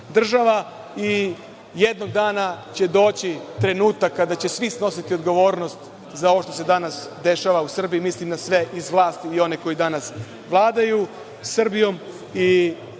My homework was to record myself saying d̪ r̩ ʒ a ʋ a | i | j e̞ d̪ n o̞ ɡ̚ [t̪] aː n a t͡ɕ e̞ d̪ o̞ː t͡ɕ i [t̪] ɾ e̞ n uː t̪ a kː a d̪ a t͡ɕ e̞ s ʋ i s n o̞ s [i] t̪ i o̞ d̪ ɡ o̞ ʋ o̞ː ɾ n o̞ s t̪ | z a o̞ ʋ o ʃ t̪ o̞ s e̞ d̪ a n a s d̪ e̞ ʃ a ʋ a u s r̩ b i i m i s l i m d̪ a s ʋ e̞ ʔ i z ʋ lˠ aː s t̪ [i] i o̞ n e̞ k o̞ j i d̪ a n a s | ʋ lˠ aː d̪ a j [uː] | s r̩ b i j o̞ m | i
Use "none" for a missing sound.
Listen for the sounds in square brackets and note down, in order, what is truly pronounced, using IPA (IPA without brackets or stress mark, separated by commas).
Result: d̪, t̪, i, i, u